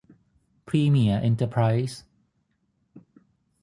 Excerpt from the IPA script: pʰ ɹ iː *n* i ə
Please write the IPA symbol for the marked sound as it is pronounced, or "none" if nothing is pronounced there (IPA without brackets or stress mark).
m